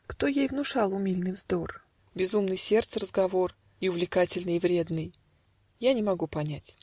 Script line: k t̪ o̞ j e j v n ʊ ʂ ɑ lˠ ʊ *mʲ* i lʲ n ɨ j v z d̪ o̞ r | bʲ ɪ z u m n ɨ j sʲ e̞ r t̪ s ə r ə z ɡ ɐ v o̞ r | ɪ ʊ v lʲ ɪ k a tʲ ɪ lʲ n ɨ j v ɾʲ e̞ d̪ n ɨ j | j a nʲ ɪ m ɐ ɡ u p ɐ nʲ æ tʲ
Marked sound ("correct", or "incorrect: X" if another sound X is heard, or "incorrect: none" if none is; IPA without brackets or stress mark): correct